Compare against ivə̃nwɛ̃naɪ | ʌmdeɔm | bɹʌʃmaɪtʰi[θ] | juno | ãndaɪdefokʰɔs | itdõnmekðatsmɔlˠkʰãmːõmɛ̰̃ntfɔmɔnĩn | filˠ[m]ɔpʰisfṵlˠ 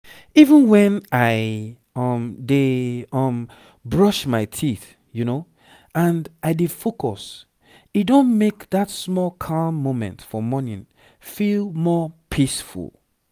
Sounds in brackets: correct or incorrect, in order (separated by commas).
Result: correct, correct